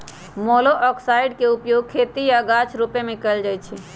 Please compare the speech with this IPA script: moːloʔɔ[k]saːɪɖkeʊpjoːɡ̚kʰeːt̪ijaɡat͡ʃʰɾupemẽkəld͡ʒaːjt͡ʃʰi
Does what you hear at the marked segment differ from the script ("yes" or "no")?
no